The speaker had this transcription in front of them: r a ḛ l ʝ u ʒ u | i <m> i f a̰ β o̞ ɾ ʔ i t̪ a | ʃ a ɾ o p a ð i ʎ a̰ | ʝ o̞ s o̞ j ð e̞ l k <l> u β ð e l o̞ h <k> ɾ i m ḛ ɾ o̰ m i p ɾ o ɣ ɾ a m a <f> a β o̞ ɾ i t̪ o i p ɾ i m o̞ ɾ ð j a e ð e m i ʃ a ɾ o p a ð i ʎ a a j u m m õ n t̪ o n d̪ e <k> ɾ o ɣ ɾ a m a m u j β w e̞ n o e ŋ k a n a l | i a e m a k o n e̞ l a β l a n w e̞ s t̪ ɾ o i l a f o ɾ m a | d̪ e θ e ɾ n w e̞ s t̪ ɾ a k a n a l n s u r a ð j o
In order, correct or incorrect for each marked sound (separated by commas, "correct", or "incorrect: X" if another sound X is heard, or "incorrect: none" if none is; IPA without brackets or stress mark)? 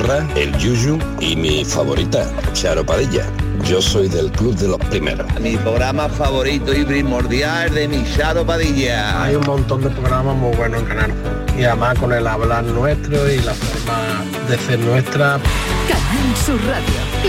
correct, correct, incorrect: p, correct, incorrect: p